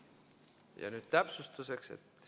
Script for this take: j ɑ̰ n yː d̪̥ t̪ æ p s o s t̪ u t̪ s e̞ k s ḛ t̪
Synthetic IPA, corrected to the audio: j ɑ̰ n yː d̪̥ t̪ æ p s u s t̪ u s e̞ k s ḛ t̪